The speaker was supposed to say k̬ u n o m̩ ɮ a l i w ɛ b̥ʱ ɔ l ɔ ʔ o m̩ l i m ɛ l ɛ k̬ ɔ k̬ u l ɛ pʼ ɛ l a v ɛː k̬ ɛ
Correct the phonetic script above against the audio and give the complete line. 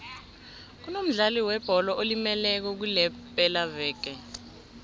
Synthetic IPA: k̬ u n o m̩ ɮ a l i w ɛ b̥ʱ ɔ l ɔ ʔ o l i m ɛ l ɛ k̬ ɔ k̬ u l ɛ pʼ ɛ l a v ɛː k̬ ɛ